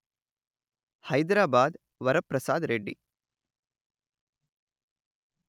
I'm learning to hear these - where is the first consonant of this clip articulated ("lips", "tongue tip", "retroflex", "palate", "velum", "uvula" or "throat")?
throat